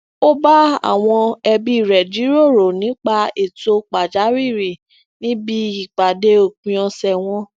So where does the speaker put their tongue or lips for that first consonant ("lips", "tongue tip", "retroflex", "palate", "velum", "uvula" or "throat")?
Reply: lips